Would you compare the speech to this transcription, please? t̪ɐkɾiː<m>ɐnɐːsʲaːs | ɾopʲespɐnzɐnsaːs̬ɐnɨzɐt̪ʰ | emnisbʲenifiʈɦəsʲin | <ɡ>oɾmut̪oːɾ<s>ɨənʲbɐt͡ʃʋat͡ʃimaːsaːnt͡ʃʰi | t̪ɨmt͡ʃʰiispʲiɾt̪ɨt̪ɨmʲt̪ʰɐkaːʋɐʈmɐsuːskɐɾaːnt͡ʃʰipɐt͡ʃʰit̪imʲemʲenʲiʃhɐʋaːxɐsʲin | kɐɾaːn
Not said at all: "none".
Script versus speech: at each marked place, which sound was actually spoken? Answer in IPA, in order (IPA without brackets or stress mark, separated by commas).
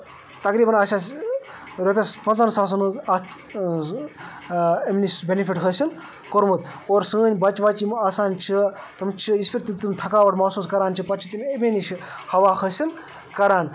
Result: b, k, s